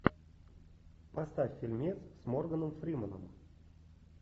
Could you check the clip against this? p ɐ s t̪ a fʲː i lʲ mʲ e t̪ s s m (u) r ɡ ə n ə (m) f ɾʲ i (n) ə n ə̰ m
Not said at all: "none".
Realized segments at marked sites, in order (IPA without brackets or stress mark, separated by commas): o, m, m